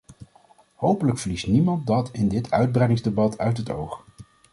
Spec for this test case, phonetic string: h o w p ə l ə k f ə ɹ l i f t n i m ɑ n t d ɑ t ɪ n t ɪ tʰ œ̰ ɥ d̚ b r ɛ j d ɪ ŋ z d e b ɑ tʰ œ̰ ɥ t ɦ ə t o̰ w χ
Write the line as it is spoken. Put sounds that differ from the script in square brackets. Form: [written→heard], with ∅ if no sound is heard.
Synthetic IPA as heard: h o w p ə l ə k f ə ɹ l i [f→s] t n i m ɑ n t d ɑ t ɪ n [t→d] ɪ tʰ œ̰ ɥ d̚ b r ɛ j d ɪ ŋ z d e b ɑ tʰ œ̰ ɥ t ɦ ə t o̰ w χ